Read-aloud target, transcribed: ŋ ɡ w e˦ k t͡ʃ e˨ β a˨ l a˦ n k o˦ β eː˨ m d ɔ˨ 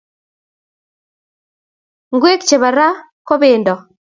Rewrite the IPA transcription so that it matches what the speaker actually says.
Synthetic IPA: ŋ ɡ w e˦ k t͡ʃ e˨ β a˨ ɾ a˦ k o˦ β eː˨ n d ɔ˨